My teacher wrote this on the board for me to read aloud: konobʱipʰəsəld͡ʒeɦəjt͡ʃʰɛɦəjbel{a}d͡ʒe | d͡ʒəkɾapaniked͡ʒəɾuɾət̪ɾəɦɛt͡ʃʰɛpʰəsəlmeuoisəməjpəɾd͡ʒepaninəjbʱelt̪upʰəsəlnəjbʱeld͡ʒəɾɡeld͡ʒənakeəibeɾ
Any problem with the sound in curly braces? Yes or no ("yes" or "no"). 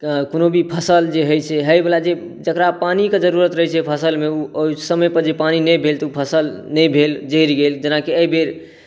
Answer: no